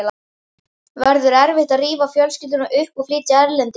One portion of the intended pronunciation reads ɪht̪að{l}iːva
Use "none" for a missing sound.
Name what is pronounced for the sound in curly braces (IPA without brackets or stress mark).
r